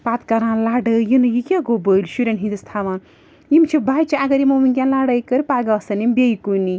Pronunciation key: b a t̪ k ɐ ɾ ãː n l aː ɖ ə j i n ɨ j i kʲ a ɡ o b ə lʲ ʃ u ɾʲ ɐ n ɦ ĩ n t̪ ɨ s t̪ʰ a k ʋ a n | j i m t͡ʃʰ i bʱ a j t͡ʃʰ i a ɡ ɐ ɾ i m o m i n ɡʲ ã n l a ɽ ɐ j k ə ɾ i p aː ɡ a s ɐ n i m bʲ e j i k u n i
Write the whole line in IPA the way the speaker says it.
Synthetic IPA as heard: p a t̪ k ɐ ɾ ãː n l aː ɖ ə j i n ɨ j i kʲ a ɡ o b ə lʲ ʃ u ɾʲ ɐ n ɦ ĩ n d̪ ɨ s t̪ʰ a ʋ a n | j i m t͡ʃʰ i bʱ a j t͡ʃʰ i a ɡ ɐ ɾ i m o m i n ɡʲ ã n l a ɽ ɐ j k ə ɾ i p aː ɡ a s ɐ n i m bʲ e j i k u n i